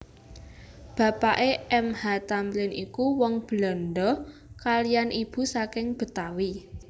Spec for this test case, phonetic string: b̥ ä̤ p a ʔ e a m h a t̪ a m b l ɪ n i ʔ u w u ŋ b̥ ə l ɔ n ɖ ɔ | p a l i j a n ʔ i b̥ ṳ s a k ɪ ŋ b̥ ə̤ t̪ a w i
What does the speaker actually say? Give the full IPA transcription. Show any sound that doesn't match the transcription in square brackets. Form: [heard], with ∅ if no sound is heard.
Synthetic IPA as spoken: b̥ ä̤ p a ʔ e [ɛ] m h a t̪ a m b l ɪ n i [k] u w [ɔ] ŋ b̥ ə l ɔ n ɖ ɔ | [k] a l i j a n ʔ i b̥ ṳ s a k ɪ ŋ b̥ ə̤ t̪ a w i